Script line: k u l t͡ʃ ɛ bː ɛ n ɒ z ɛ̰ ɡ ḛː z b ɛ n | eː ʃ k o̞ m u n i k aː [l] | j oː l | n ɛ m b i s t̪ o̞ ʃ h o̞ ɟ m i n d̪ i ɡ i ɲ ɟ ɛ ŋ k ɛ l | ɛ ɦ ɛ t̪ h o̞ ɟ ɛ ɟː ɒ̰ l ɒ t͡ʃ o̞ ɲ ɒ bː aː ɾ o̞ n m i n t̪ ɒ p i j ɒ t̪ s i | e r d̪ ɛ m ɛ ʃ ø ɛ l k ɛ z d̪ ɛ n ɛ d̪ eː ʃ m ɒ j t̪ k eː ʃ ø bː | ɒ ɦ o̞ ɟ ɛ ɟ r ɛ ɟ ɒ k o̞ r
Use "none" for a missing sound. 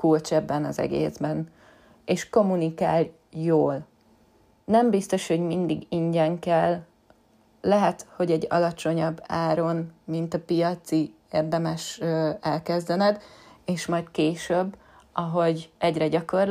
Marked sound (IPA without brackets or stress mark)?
l